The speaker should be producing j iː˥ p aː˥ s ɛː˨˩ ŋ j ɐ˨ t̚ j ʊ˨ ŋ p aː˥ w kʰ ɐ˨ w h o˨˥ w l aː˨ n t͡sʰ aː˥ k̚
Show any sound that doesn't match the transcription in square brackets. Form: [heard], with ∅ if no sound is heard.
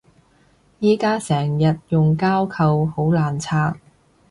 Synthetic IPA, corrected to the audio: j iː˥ [k] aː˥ s ɛː˨˩ ŋ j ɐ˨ t̚ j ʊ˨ ŋ [k] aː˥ w kʰ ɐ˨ w h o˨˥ w l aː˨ n t͡sʰ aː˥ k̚

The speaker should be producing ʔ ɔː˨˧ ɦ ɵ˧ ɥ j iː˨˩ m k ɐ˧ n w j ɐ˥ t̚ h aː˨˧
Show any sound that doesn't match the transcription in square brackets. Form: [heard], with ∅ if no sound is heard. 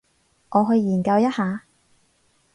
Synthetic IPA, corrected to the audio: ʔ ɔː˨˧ ɦ ɵ˧ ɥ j iː˨˩ [n] k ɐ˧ [∅] w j ɐ˥ t̚ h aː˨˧

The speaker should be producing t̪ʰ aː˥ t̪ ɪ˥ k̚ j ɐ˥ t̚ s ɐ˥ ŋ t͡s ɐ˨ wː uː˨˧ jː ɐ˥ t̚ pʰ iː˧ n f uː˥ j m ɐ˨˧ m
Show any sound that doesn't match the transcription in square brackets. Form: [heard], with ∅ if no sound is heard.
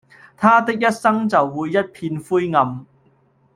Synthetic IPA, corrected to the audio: t̪ʰ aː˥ t̪ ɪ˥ k̚ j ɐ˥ t̚ s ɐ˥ ŋ t͡s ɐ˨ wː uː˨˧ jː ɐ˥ t̚ pʰ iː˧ n f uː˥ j [ŋ] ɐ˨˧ m

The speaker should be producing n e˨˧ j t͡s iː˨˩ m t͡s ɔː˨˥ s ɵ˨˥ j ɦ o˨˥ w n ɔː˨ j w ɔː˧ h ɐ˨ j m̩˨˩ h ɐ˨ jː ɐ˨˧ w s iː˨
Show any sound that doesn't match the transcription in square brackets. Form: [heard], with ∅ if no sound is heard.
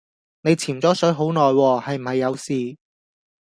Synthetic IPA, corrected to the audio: n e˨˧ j [t͡sʰ] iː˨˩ m t͡s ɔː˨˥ s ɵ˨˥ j ɦ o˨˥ w n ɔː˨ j w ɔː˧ h ɐ˨ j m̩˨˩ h ɐ˨ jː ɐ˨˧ w s iː˨

